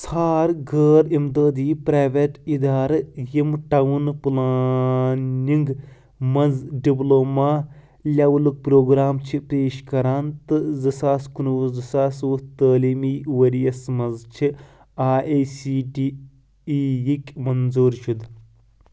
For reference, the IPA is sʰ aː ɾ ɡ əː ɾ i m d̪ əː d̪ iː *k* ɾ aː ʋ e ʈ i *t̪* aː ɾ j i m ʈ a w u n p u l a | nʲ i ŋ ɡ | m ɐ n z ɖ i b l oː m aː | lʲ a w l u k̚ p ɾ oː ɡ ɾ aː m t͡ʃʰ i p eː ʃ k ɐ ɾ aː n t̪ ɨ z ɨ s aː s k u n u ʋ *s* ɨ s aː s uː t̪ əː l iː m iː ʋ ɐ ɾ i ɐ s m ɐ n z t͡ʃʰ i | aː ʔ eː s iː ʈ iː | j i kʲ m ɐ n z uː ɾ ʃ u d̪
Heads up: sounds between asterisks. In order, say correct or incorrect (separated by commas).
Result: incorrect, incorrect, incorrect